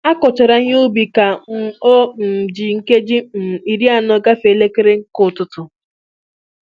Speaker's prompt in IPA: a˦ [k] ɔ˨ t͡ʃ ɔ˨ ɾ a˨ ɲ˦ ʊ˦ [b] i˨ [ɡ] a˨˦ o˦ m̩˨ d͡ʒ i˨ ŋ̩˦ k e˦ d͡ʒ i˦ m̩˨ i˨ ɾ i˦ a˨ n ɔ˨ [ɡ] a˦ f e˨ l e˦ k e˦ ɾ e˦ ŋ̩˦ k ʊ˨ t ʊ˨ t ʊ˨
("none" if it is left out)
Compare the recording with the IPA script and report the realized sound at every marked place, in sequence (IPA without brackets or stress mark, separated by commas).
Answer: k, b, k, ɡ